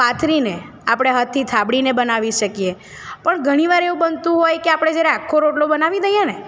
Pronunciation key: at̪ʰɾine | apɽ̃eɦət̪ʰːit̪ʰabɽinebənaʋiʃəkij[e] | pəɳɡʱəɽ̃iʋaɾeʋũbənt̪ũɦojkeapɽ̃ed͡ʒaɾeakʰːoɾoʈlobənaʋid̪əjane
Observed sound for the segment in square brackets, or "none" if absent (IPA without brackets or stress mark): e